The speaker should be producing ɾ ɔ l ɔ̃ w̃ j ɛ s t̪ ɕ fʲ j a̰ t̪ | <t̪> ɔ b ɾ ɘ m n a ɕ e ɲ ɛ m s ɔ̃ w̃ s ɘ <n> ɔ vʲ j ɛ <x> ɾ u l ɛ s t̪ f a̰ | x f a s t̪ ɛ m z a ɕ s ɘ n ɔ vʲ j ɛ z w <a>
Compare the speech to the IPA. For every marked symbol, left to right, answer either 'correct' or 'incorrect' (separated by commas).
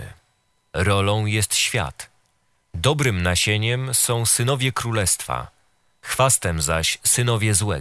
incorrect, correct, incorrect, incorrect